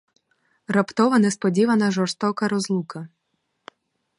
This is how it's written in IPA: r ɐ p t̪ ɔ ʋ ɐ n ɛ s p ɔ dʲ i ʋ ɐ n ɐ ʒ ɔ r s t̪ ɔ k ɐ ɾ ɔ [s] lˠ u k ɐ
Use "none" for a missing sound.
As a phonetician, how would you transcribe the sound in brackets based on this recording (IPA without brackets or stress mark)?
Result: z